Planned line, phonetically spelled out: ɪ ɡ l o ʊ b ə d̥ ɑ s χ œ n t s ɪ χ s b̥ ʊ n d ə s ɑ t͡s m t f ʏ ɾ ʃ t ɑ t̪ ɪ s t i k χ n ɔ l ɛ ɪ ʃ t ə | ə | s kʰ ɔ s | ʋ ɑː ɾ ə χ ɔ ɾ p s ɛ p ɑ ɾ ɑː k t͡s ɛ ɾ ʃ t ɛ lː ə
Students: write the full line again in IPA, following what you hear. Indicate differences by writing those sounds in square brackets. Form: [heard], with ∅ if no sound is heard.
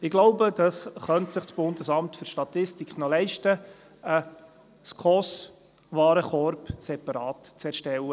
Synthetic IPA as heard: ɪ ɡ l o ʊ b ə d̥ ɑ s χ œ n t s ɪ χ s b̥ ʊ n d ə s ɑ [∅] m t f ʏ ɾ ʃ t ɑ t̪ ɪ s t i k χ n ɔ l ɛ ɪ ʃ t ə | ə | s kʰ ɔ s | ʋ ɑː ɾ ə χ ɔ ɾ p s ɛ p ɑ ɾ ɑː [t] t͡s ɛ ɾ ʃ t ɛ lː ə